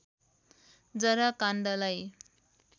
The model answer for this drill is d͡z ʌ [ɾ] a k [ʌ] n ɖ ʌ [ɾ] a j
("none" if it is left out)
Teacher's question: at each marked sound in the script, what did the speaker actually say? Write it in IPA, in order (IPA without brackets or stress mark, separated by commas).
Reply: ɾ, a, l